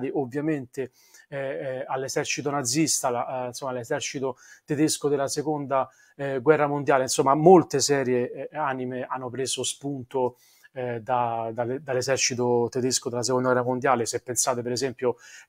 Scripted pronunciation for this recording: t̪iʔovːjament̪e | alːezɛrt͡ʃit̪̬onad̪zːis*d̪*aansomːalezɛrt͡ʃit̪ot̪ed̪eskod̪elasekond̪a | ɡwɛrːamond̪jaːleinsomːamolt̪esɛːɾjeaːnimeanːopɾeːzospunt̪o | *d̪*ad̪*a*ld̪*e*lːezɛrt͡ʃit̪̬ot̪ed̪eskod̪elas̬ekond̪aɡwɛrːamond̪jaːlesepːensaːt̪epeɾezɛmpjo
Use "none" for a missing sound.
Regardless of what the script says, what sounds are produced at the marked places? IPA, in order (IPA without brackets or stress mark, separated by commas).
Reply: t̪, d̪, a, a